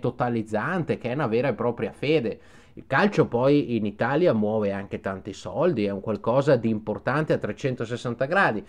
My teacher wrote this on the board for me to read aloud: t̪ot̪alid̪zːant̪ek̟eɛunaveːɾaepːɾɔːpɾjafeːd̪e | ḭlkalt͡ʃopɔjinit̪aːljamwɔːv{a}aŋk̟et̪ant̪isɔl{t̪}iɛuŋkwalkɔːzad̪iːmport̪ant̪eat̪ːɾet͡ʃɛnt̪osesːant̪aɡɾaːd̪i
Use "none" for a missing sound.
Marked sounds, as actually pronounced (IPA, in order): e, d̪

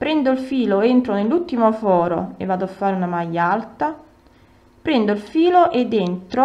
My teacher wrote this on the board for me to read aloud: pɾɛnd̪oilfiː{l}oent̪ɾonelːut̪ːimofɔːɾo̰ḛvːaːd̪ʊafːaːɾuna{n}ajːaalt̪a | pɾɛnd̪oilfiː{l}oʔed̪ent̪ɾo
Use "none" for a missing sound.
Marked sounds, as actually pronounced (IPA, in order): l, m, l

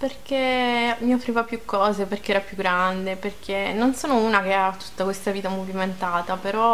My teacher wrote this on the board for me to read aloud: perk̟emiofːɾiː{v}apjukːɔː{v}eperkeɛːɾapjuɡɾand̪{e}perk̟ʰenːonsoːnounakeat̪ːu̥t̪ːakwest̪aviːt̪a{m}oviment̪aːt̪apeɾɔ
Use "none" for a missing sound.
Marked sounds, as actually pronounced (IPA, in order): v, z, e, m

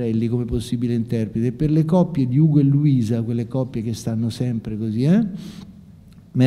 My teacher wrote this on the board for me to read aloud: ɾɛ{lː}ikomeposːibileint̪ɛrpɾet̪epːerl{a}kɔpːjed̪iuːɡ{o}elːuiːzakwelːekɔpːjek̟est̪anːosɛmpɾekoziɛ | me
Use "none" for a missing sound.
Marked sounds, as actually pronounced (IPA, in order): lː, e, o

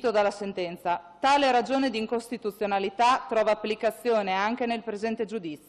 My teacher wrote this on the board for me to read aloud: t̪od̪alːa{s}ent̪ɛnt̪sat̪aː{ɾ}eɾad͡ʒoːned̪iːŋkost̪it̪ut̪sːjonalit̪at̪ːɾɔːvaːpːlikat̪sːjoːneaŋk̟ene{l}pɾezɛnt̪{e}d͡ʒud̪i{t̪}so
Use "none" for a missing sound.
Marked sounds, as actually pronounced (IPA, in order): s, l, l, e, t̪

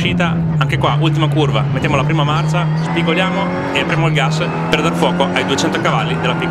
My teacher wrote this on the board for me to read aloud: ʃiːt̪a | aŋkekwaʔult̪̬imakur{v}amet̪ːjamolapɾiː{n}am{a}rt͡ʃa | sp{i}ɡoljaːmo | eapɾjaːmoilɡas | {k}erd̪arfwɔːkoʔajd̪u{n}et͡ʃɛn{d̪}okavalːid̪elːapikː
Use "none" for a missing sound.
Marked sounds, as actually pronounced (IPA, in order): v, m, a, i, p, none, t̪

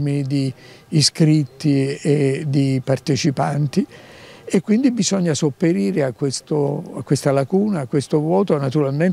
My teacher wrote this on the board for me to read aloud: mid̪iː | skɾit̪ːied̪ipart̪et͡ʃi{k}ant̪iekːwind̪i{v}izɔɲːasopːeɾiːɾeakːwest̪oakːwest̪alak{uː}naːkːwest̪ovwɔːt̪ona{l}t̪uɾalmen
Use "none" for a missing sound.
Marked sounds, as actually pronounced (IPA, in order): p, b, uː, none

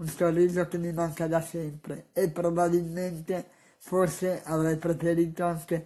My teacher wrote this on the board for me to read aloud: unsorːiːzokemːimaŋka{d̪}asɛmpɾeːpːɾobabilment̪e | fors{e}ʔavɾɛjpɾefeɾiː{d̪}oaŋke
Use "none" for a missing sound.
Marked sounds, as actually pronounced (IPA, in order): d̪, e, t̪

